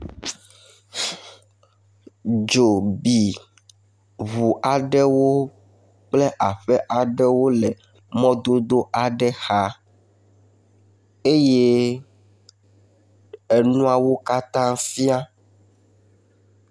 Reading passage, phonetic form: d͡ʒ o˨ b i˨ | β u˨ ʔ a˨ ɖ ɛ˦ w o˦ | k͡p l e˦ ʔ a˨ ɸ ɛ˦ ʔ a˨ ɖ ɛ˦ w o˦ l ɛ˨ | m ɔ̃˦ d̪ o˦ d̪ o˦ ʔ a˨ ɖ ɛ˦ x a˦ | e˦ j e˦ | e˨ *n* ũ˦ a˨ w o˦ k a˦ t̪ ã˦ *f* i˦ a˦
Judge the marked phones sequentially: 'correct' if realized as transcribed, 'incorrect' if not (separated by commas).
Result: correct, correct